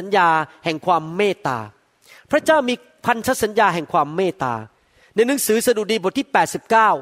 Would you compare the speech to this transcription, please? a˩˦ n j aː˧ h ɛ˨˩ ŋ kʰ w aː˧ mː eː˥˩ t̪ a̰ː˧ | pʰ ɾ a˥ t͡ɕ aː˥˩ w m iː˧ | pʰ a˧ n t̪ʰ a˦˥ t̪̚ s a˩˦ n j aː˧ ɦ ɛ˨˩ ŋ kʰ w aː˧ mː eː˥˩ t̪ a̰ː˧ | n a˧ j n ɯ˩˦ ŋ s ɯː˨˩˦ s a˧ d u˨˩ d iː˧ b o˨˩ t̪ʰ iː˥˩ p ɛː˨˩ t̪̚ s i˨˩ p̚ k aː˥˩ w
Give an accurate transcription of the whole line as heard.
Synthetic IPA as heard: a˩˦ n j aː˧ h ɛ˨˩ ŋ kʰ w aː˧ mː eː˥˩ t̪ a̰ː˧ | pʰ ɾ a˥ t͡ɕ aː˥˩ w m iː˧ | pʰ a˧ n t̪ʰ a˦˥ t̪̚ s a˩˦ n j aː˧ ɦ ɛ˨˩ ŋ kʰ w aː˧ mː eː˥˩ t̪ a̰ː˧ | n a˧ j n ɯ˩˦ ŋ s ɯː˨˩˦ s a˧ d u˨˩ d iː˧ b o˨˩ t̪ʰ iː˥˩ p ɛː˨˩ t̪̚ s i˨˩ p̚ k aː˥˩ w